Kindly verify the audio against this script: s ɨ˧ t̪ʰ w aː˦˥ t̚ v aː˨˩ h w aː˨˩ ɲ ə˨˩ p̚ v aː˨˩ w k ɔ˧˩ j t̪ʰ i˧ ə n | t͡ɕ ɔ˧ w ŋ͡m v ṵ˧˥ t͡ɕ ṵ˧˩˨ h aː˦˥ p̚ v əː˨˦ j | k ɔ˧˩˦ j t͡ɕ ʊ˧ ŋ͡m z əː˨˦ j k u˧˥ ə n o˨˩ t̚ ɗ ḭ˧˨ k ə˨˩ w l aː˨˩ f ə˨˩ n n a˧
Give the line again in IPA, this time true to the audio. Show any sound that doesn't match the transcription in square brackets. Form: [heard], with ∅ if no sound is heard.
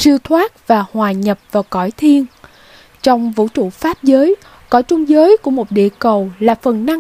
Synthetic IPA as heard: s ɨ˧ t̪ʰ w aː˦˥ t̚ v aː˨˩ h w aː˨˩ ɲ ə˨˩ p̚ v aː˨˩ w k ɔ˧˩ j t̪ʰ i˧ ə n | t͡ɕ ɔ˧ w ŋ͡m v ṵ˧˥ t͡ɕ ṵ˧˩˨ [f] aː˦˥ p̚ [z] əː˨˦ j | k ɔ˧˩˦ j t͡ɕ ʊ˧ ŋ͡m z əː˨˦ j k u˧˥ ə [m] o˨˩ t̚ ɗ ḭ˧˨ k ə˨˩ w l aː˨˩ f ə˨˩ n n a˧